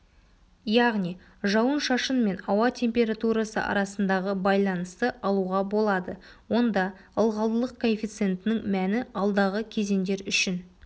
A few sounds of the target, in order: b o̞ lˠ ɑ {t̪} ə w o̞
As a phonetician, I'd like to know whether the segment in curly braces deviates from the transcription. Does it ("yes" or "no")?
yes